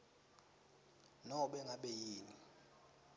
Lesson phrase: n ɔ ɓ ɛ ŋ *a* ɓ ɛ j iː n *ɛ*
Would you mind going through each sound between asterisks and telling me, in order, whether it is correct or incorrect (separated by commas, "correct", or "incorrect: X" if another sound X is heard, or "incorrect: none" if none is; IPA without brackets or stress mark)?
correct, incorrect: i